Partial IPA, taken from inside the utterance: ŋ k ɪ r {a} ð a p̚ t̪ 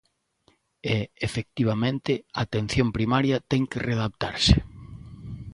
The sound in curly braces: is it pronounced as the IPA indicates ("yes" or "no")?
no